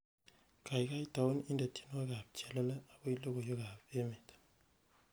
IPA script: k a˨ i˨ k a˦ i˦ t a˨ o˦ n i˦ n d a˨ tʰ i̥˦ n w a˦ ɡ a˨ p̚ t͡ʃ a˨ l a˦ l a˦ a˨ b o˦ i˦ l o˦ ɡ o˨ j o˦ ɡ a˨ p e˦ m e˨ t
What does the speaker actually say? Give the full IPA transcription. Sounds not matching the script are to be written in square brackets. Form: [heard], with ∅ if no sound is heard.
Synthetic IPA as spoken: k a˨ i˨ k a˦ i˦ t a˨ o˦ n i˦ n d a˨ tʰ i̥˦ n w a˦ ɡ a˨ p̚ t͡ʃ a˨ l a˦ l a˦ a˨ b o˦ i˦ l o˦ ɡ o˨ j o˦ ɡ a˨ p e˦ m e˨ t

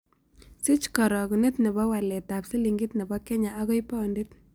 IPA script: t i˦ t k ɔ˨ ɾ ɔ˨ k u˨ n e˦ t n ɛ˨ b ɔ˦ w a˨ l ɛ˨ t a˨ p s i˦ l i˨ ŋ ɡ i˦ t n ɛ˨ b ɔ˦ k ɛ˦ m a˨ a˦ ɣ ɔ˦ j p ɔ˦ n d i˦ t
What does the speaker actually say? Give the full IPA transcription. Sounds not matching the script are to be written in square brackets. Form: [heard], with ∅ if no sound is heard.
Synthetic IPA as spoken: [s] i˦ [t͡ʃ] k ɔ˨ ɾ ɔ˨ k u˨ n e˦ t n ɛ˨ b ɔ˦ w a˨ l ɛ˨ t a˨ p s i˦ l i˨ ŋ ɡ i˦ t n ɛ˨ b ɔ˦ k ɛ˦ [ɲ] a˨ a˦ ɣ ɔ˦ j p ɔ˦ n d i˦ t

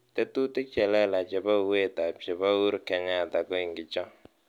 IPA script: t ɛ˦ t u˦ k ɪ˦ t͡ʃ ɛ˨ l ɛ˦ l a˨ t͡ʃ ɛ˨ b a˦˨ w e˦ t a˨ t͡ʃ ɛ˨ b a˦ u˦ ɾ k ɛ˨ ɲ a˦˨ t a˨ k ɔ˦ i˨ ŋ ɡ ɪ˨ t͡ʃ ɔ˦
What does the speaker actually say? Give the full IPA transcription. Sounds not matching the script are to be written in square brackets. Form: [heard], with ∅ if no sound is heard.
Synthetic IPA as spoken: t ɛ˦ t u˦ [t] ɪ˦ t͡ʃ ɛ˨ l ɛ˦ l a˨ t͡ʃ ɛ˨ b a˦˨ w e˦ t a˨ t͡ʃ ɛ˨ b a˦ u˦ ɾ k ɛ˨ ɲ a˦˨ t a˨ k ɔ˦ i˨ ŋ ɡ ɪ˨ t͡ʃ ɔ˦

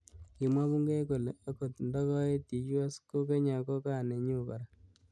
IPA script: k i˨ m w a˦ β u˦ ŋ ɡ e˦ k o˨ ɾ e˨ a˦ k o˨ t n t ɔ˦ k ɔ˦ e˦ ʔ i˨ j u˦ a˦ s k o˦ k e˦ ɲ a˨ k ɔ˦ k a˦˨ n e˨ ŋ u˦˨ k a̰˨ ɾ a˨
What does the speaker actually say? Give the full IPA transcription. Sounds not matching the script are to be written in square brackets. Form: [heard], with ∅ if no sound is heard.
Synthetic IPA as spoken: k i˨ m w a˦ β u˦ ŋ ɡ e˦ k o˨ [l] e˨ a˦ k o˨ t n [d] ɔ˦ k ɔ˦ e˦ [t] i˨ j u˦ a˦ s k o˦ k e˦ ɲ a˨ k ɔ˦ k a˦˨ n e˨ [ɲ] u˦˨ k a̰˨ ɾ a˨

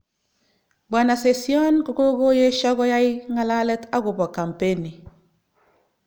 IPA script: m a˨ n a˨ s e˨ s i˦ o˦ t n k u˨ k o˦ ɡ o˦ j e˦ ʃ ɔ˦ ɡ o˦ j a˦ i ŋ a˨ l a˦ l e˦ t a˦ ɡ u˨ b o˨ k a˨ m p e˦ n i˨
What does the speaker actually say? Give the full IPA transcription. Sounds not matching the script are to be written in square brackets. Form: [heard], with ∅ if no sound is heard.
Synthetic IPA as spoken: [b] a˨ n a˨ s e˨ s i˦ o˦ [∅] n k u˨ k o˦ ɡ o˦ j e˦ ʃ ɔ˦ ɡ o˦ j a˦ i ŋ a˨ l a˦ l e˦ t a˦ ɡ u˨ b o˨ k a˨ m p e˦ n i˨

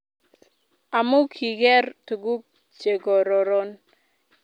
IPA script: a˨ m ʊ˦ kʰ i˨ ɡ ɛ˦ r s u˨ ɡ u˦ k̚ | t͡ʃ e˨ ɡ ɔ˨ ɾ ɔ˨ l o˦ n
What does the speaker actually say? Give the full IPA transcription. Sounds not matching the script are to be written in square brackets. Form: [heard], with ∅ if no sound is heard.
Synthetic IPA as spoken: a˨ m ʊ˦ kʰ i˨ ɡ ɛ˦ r [t] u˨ ɡ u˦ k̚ | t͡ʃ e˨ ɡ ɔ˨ ɾ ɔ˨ [ɾ] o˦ n

